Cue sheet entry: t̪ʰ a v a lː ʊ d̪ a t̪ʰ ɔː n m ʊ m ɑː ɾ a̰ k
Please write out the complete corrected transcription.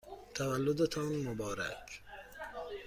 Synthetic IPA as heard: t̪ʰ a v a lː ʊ d̪ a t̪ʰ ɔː n m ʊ b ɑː ɾ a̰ k

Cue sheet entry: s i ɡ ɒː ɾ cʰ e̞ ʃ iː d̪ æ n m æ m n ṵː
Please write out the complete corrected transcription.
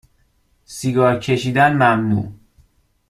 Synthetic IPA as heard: s i ɡ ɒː ɾ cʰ e̞ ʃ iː d̪ æ n m æ m n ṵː

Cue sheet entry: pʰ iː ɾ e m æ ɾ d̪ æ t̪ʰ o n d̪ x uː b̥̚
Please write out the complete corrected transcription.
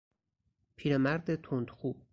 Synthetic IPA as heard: pʰ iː ɾ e m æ ɾ d̪ e t̪ʰ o n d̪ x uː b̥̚

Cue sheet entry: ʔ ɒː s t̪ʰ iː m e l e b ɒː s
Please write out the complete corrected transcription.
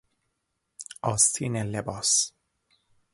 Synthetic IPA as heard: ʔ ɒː s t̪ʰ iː n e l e b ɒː s

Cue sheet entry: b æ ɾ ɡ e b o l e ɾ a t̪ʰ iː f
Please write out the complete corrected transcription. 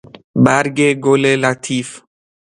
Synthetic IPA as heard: b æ ɾ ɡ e ɡ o l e l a t̪ʰ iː f

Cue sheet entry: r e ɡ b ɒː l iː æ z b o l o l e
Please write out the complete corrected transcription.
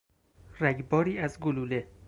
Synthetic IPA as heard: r æ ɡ b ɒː ɾ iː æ z ɡ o l u l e

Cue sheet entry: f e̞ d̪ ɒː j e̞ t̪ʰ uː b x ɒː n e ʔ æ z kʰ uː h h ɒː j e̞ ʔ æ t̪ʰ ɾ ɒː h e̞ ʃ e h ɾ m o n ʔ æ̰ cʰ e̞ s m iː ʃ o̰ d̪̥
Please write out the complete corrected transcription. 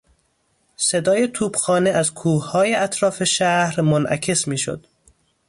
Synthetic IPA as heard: s e̞ d̪ ɒː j e̞ t̪ʰ uː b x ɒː n e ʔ æ z kʰ uː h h ɒː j e̞ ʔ æ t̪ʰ ɾ ɒː f e̞ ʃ æ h ɾ m o n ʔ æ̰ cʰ e̞ s m iː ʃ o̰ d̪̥

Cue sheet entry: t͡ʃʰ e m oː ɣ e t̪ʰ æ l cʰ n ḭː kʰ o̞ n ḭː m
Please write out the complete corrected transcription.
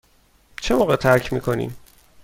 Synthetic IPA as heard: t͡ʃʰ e m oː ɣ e t̪ʰ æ ɾ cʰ m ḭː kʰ o̞ n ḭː m

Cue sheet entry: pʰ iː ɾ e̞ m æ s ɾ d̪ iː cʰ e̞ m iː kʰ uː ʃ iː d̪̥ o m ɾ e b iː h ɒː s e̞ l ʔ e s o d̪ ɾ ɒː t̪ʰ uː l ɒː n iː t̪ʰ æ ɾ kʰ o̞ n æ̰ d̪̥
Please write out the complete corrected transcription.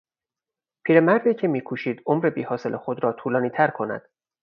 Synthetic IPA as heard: pʰ iː ɾ e̞ m æ ɾ d̪ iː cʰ e̞ m iː kʰ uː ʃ iː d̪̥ o m ɾ e b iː h ɒː s e̞ l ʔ e x o d̪ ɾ ɒː t̪ʰ uː l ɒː n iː t̪ʰ æ ɾ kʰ o̞ n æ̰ d̪̥

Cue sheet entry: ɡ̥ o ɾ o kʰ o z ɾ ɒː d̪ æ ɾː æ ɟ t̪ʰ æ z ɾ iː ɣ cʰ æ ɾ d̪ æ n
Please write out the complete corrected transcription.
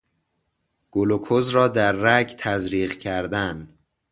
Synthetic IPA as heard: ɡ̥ o l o kʰ o z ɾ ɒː d̪ æ ɾː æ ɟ t̪ʰ æ z ɾ iː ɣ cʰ æ ɾ d̪ æ n

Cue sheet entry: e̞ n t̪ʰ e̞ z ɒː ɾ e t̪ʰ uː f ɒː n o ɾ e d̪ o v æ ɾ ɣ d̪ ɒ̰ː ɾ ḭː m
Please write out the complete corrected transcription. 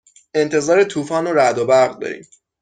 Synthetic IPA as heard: e̞ n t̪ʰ e̞ z ɒː ɾ e t̪ʰ uː f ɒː n o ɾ æ d̪ o b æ ɾ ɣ d̪ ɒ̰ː ɾ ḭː m

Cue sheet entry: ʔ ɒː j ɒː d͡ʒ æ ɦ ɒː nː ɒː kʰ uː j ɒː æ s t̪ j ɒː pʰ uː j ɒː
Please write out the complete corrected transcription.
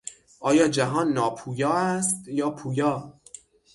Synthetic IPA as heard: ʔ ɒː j ɒː d͡ʒ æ ɦ ɒː nː ɒː pʰ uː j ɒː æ s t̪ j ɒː pʰ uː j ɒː

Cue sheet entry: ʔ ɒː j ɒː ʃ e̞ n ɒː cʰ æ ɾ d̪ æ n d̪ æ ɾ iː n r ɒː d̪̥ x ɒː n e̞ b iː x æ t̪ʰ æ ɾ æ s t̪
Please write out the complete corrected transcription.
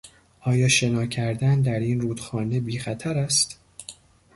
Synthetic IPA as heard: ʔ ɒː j ɒː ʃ e̞ n ɒː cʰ æ ɾ d̪ æ n d̪ æ ɾ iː n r uː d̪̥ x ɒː n e̞ b iː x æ t̪ʰ æ ɾ æ s t̪

